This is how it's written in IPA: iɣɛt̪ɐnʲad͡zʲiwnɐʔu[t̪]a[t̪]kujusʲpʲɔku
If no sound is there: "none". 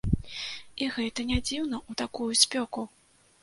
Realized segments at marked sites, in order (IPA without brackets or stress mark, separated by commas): t̪, none